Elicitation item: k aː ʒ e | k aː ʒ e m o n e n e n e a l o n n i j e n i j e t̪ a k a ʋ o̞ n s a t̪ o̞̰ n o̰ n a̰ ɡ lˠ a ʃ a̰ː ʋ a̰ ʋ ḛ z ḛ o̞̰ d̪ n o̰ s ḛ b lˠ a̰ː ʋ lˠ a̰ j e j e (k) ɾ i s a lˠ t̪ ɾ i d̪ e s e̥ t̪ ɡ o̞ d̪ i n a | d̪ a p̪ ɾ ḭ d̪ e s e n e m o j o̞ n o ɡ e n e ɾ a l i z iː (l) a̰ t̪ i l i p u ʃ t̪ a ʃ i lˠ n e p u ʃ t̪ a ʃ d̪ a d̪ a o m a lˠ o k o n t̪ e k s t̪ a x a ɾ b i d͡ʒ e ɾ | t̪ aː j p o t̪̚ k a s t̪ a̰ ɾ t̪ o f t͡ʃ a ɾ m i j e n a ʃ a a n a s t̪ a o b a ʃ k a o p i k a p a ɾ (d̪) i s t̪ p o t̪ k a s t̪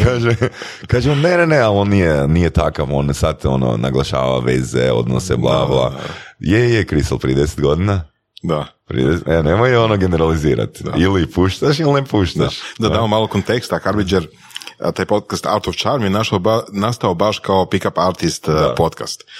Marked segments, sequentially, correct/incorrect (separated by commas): correct, incorrect, incorrect